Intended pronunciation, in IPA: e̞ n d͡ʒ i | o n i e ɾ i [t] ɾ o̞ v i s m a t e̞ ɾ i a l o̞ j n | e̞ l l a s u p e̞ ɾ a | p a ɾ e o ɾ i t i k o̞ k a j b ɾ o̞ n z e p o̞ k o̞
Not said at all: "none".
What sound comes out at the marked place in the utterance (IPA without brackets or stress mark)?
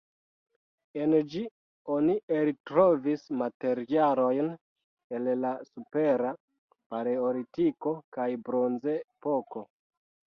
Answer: t